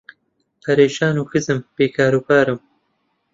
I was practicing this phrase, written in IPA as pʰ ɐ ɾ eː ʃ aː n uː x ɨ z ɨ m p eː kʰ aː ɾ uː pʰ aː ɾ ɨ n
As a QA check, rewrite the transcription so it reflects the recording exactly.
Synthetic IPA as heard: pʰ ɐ ɾ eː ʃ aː n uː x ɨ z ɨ m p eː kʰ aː ɾ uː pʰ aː ɾ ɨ m